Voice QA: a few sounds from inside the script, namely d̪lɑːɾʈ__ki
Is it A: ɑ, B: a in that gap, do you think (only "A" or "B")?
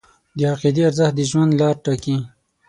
B